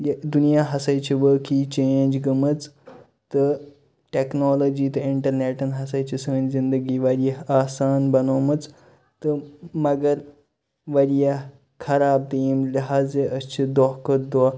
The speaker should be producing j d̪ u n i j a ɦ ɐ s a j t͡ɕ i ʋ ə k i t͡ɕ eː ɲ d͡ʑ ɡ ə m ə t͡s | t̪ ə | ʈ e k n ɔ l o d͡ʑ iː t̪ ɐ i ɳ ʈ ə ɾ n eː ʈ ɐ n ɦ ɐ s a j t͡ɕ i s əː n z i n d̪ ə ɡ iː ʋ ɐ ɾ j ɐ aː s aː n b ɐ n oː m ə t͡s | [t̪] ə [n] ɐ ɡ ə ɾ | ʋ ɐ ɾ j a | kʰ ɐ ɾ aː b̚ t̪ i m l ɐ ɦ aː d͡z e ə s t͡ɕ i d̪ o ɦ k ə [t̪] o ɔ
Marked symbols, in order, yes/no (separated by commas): yes, no, no